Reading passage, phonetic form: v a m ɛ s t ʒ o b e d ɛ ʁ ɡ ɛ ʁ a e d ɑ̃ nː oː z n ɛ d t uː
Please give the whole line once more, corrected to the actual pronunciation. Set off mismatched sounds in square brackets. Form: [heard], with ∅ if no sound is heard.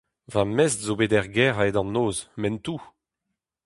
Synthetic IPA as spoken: v a m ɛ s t [z] o b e d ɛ ʁ ɡ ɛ ʁ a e d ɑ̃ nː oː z [m] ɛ [n] t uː